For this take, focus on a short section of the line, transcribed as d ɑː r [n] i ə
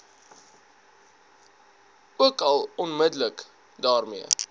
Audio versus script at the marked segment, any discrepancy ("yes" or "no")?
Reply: yes